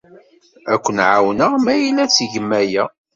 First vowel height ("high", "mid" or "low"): low